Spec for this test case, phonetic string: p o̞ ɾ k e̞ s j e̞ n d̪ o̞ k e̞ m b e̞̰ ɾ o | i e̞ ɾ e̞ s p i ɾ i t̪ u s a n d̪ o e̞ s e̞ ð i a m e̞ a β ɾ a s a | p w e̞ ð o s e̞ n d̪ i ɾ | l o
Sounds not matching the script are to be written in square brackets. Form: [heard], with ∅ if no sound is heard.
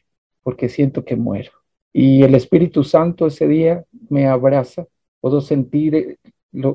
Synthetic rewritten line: p o̞ ɾ k e̞ s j e̞ n [t̪] o̞ k e̞ m [w] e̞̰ ɾ o | i e̞ [l] e̞ s p i ɾ i t̪ u s a n [t̪] o e̞ s e̞ ð i a m e̞ a β ɾ a s a | p w e̞ ð o s e̞ n [t̪] i ɾ | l o